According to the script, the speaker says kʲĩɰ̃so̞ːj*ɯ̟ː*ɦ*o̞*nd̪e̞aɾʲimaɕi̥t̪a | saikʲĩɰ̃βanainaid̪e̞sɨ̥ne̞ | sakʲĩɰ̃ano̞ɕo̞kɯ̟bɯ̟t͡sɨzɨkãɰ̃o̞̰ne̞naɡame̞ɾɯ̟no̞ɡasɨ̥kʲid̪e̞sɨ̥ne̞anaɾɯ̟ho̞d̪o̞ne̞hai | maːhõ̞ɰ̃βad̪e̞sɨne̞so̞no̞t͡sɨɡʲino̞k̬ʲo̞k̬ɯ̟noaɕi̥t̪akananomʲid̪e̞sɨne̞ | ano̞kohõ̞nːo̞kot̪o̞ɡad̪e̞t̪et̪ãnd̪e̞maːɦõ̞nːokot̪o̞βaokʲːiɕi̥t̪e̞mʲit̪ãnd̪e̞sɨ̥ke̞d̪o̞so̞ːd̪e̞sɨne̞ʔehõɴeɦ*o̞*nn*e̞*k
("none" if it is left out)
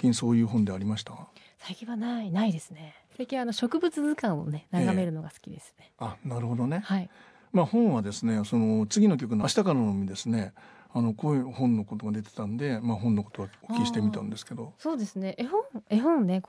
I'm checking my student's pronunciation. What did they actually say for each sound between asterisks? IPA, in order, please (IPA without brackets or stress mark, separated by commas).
ɯ̟ː, õ̞, õ̞, e̞